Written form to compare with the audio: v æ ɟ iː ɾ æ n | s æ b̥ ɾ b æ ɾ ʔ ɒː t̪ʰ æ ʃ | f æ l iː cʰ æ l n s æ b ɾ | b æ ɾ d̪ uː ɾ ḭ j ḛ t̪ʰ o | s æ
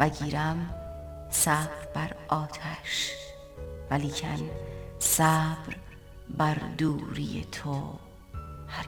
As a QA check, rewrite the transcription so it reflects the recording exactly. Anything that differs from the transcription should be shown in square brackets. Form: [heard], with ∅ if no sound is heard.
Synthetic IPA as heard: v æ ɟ iː ɾ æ [m] | s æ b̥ ɾ b æ ɾ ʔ ɒː t̪ʰ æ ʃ | [v] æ l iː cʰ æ [∅] n s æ b ɾ | b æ ɾ d̪ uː ɾ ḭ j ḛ t̪ʰ o | [h] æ